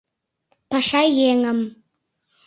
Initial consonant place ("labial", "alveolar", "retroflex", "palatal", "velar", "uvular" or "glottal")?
labial